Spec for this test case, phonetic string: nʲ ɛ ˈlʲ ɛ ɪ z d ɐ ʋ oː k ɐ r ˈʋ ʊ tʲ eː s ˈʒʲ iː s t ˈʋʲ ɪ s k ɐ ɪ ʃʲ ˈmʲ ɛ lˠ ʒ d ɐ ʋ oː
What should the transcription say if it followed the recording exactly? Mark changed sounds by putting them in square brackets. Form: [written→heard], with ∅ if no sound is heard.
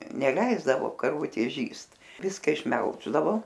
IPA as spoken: nʲ ɛ ˈlʲ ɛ ɪ z d ɐ ʋ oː k ɐ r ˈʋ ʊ tʲ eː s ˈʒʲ iː s t ˈʋʲ ɪ s k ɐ ɪ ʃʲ ˈmʲ ɛ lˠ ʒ d ɐ ʋ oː